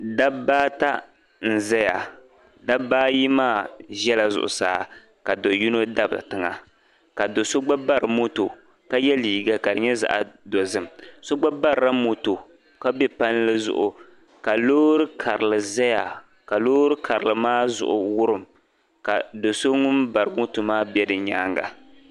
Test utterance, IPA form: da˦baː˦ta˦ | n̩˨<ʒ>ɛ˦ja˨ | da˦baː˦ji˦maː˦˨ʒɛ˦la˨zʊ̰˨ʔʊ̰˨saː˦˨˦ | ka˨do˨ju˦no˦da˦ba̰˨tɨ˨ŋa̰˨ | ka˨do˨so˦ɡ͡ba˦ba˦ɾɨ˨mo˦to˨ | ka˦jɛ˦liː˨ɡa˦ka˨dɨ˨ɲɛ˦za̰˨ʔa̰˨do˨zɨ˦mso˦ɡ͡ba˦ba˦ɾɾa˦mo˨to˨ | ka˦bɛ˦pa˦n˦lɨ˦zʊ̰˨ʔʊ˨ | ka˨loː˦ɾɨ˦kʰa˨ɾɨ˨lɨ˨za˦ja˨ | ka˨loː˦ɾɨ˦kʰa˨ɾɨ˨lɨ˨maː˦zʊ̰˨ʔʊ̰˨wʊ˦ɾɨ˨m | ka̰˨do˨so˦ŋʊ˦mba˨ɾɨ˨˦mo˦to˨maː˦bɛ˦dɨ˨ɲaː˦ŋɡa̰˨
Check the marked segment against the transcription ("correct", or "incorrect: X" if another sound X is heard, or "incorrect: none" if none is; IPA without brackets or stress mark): incorrect: z